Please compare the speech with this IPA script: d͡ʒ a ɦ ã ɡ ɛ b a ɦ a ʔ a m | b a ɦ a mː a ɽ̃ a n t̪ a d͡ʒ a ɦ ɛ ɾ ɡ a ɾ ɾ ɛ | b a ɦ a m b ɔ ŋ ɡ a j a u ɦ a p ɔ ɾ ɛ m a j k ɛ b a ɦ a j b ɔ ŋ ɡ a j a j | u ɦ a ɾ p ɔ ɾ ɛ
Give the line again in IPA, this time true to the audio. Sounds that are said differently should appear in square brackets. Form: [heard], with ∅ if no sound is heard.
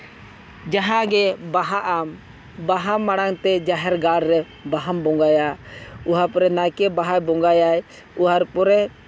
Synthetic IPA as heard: d͡ʒ a ɦ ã ɡ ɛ b a ɦ a ʔ a m | b a ɦ a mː a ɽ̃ a [ŋ] t̪ [ɛ] d͡ʒ a ɦ ɛ ɾ ɡ a ɾ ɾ ɛ | b a ɦ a m b ɔ ŋ ɡ a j a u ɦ a p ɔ ɾ ɛ [n] a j k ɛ b a ɦ a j b ɔ ŋ ɡ a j a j | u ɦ a ɾ p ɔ ɾ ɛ